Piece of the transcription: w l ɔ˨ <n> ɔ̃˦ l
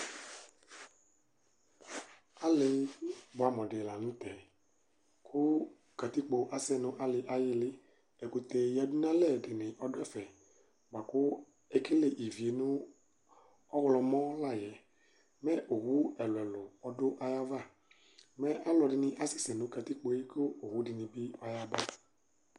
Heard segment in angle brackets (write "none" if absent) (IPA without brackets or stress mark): m